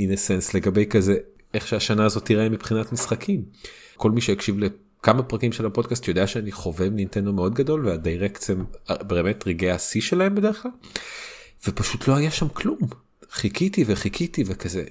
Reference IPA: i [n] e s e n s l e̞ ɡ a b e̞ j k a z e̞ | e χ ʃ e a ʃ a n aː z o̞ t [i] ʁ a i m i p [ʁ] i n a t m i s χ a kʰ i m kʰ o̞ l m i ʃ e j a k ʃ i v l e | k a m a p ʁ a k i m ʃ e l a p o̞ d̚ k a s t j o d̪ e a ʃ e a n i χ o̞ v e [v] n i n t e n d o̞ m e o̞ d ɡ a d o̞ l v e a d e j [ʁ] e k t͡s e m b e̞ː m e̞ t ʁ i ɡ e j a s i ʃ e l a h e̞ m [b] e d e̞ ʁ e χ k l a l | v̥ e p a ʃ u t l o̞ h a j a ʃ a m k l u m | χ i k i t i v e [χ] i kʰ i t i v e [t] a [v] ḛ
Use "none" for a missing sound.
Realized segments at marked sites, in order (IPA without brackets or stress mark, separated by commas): n, i, χ, v, ʁ, b, χ, k, z